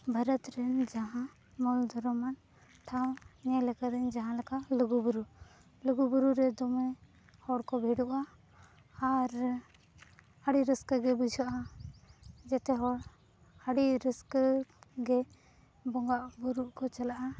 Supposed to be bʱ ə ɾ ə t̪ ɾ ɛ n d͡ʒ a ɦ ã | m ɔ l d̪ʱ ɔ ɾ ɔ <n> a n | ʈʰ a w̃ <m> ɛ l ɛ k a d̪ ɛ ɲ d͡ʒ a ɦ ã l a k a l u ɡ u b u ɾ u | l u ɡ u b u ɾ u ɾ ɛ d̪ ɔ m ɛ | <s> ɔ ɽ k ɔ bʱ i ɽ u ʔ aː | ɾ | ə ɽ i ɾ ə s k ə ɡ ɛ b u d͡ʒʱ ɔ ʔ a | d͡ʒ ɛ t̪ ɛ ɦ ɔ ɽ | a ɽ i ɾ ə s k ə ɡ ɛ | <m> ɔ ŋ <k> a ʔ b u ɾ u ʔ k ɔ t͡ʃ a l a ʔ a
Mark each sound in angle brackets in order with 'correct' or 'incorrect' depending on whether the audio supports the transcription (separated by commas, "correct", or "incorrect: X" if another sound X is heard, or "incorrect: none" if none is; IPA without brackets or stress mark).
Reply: incorrect: m, incorrect: ɲ, incorrect: h, incorrect: b, incorrect: ɡ